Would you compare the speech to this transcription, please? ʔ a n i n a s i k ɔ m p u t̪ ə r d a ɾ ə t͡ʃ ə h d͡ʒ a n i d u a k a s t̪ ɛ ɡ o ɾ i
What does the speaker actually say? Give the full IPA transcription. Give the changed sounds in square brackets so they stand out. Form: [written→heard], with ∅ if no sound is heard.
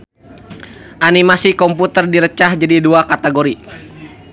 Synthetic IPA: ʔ a n i [n→m] a s i k ɔ m p u t̪ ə r d [a→i] ɾ ə t͡ʃ [ə→a] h d͡ʒ a [n→d] i d u a k a [s→∅] t̪ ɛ ɡ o ɾ i